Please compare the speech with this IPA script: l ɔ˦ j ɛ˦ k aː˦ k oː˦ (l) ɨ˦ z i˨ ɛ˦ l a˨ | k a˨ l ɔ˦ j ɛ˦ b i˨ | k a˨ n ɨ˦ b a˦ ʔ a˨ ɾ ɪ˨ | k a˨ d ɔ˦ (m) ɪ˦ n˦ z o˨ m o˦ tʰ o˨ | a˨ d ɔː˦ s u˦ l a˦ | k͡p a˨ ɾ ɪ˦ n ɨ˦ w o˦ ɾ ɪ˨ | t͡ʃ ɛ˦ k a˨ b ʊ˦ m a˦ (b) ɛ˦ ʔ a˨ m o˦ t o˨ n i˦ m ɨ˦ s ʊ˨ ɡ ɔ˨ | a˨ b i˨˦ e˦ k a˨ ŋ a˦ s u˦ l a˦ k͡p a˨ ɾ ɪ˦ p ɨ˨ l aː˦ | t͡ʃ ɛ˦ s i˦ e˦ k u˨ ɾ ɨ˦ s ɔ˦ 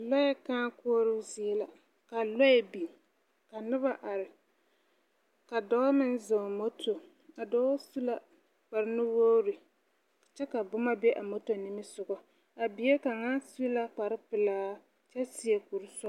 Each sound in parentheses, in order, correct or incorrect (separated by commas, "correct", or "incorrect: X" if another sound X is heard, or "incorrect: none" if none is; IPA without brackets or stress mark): incorrect: ɾ, correct, correct